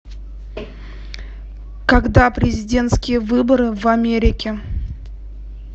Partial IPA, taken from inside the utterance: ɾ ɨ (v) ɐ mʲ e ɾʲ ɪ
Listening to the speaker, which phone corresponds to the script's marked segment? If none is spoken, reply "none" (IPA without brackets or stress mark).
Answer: v